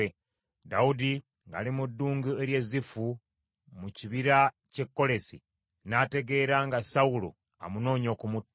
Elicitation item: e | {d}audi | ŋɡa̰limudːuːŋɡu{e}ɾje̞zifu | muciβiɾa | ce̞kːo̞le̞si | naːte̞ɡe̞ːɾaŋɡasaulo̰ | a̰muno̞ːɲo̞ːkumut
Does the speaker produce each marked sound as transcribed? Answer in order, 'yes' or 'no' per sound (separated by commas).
yes, yes